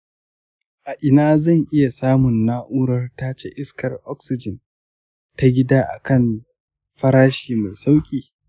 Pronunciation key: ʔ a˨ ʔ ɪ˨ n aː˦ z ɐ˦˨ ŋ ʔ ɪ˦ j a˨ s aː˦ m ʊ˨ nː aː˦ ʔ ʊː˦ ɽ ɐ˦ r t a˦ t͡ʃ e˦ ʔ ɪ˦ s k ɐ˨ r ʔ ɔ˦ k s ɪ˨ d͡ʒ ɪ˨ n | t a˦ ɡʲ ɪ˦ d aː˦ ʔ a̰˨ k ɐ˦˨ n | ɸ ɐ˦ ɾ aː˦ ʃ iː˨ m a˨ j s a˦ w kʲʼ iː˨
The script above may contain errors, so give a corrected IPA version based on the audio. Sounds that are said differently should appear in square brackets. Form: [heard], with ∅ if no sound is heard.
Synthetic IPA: ʔ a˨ ʔ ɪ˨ n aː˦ z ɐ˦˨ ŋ ʔ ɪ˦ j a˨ s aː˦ m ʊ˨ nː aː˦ ʔ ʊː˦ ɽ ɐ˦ r t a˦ t͡ʃ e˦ ʔ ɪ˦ s k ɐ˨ r ʔ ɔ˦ k s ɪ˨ d͡ʒ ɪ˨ n | t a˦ ɡʲ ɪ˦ d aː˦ ʔ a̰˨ k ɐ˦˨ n | ɸ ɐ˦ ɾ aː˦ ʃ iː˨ m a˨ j s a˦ w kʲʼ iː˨